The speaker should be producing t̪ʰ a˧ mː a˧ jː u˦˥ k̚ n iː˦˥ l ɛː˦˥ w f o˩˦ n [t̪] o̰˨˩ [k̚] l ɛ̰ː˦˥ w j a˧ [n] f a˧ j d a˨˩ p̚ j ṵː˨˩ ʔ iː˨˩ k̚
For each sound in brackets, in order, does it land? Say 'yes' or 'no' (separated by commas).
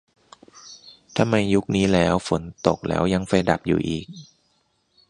yes, yes, no